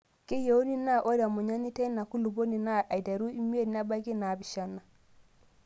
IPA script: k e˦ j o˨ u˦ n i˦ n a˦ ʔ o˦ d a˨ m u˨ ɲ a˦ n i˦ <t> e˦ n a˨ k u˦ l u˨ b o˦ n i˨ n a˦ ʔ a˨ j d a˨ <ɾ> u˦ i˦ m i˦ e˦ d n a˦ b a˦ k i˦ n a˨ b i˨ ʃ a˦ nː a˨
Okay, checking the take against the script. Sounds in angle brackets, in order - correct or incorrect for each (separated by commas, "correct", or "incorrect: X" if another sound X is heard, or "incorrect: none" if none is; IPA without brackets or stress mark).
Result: correct, correct